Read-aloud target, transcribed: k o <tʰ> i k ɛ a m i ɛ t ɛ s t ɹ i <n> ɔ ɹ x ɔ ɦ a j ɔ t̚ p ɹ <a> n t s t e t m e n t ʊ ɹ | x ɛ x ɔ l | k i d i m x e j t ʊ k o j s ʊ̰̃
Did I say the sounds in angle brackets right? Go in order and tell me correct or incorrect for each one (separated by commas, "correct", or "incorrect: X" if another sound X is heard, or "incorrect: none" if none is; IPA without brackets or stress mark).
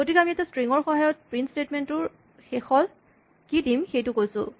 incorrect: t, incorrect: ŋ, incorrect: i